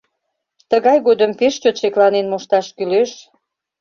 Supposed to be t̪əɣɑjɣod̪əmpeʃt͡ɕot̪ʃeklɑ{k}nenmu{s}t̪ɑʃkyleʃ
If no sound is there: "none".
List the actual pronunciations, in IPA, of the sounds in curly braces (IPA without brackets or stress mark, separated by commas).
none, ʃ